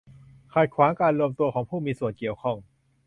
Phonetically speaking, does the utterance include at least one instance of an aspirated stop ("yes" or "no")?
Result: yes